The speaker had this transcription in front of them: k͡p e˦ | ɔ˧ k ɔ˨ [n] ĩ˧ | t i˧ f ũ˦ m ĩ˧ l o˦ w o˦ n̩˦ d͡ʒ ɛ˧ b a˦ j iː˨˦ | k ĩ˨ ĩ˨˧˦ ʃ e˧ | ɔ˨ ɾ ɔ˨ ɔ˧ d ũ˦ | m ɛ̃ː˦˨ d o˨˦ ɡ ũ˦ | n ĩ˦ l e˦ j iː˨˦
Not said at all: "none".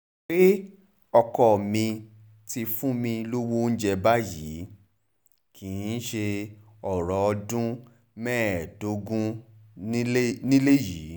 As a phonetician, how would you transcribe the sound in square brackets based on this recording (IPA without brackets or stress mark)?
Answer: m